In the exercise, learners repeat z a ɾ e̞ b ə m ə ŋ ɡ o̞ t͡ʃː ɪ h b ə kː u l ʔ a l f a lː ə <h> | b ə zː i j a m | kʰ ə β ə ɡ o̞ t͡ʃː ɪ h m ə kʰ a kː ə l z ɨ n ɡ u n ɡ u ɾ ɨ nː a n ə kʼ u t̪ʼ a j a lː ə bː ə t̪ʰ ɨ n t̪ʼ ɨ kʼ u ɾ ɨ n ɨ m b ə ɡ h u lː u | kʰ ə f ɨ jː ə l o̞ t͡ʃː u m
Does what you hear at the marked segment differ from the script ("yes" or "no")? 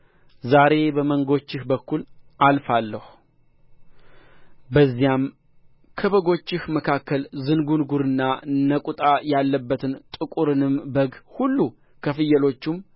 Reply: no